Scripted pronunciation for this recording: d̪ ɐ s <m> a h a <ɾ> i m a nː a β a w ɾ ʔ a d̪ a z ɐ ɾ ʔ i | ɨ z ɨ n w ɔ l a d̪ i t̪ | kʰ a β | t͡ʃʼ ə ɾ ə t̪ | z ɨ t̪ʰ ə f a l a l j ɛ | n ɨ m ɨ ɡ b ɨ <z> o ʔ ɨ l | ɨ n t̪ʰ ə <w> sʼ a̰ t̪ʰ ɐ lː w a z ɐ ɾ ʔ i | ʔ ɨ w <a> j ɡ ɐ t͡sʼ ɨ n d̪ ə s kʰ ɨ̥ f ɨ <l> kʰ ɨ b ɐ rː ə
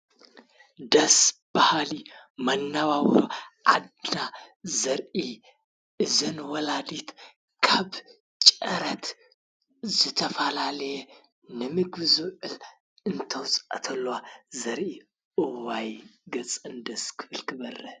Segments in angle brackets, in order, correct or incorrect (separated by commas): incorrect, incorrect, correct, correct, correct, correct